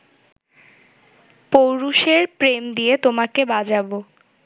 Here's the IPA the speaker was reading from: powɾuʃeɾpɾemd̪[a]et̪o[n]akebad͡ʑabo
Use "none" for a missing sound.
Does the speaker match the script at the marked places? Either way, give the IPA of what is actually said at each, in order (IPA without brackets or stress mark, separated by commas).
i, m